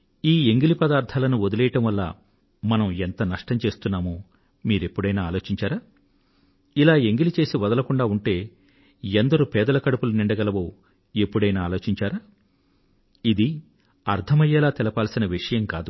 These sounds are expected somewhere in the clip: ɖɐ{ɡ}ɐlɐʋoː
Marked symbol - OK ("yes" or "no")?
yes